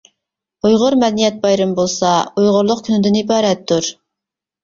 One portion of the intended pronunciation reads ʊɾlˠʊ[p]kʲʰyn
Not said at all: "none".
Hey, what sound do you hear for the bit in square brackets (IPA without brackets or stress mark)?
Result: q